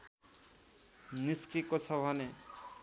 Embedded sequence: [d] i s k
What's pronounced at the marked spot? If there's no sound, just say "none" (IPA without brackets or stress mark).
n